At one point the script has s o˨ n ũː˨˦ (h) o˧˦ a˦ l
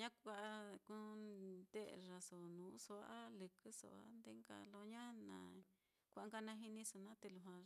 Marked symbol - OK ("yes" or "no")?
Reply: no